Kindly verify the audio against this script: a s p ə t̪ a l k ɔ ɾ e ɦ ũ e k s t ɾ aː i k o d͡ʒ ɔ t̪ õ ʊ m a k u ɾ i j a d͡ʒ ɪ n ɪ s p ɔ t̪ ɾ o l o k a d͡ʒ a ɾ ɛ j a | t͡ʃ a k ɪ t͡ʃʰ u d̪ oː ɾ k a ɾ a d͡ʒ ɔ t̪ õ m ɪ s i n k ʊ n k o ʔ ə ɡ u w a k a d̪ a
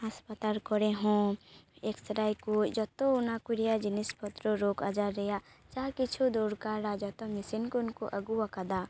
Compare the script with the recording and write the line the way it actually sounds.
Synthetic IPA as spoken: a s p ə t̪ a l k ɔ ɾ e ɦ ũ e k s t ɾ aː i k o d͡ʒ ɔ t̪ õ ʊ n a k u ɾ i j a d͡ʒ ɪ n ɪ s p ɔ t̪ ɾ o ɾ o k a d͡ʒ a ɾ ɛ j a | t͡ʃ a k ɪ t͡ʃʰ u d̪ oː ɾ k a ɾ a d͡ʒ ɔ t̪ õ m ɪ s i n k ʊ n k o ʔ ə ɡ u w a k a d̪ a